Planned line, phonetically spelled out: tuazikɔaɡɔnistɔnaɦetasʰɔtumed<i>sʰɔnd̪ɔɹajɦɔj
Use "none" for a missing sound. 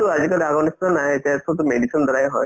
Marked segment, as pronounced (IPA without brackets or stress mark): i